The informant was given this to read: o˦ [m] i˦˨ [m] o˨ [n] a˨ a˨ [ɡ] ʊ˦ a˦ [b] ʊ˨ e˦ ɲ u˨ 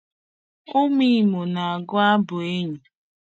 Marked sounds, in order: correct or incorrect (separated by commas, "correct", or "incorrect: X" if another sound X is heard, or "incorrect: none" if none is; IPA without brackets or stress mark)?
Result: correct, correct, correct, correct, correct